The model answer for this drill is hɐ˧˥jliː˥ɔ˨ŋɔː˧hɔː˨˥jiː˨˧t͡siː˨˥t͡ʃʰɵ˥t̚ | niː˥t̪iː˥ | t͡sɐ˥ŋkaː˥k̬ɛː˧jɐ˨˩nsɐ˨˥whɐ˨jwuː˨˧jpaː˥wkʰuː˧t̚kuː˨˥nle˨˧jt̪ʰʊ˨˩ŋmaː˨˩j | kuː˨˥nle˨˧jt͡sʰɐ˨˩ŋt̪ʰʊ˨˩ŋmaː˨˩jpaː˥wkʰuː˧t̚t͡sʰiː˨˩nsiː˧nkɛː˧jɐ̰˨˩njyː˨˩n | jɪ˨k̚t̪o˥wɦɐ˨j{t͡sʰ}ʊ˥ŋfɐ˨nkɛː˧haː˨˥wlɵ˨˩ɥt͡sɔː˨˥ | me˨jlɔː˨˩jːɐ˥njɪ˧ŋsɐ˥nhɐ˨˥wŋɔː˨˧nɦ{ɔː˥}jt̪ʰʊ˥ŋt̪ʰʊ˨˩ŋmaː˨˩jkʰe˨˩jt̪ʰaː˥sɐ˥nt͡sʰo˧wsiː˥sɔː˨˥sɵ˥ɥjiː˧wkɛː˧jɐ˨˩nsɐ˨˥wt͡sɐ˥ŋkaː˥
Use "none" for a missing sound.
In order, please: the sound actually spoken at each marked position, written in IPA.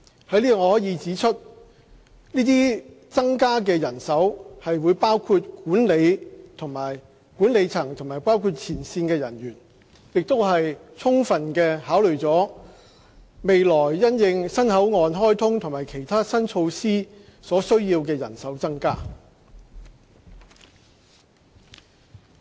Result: t͡sʰ, ɔː˥

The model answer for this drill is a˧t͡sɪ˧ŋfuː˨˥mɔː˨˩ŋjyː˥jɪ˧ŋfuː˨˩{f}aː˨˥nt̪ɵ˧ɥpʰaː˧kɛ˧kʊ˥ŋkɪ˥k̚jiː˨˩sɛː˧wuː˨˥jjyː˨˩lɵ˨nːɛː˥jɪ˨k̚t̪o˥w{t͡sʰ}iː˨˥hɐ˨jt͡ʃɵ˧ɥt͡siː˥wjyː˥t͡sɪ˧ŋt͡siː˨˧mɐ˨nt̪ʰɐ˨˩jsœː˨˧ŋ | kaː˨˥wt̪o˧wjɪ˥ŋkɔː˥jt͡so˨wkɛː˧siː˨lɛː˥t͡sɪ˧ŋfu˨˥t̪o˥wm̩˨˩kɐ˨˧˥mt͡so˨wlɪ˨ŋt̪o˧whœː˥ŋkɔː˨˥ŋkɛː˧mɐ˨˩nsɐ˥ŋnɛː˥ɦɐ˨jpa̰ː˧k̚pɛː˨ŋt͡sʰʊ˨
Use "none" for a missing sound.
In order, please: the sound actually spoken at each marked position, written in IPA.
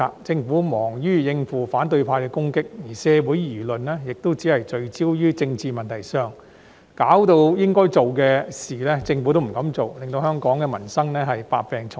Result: f, t͡s

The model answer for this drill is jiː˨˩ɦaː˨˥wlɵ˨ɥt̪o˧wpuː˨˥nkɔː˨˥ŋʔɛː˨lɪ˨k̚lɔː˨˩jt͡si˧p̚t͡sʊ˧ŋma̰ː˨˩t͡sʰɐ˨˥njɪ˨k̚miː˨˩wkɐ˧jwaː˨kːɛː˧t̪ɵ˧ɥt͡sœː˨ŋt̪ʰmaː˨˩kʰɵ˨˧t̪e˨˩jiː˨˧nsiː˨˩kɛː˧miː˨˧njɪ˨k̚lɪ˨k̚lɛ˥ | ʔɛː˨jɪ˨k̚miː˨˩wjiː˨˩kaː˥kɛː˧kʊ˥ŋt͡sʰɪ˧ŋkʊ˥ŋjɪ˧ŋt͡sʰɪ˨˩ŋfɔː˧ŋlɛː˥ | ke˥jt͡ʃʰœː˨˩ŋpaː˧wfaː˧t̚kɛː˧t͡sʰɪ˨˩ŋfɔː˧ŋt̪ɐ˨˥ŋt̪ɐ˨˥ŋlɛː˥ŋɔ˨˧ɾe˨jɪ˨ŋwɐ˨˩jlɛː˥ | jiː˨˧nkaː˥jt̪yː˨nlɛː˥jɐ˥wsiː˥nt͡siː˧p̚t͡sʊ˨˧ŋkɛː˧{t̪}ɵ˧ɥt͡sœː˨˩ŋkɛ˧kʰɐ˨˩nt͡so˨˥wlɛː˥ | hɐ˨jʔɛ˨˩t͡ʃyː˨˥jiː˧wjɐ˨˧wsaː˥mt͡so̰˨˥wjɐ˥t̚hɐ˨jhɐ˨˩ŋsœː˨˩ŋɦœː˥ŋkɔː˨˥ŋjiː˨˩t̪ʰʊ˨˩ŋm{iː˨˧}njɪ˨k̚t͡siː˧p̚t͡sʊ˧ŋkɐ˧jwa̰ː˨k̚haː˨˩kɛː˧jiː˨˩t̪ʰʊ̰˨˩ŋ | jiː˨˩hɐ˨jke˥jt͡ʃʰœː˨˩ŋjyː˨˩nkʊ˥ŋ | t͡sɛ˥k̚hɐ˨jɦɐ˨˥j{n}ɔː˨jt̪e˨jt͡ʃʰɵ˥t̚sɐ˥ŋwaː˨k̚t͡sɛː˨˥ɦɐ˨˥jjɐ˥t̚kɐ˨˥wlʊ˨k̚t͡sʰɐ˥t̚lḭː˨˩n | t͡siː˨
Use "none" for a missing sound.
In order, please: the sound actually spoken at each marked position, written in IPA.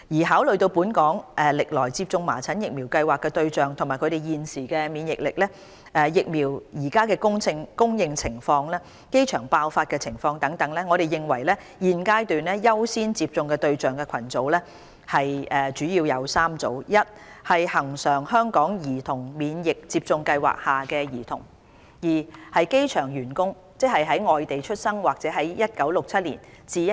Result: t̪, iː˨˧, ŋ

